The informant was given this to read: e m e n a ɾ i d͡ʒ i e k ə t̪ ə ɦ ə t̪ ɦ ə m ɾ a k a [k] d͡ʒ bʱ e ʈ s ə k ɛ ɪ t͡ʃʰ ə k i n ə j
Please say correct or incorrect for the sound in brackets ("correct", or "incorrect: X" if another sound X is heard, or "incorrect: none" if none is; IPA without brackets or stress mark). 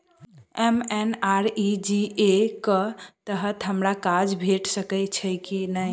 incorrect: none